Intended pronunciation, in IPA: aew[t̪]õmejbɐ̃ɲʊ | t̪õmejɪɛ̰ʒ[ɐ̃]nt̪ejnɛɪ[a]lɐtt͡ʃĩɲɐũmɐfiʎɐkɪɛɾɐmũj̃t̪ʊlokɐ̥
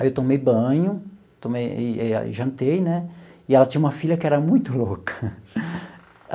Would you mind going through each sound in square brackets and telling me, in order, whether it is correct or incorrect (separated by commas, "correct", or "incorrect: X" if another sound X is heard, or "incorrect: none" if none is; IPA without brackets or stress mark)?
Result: correct, correct, incorrect: ɛ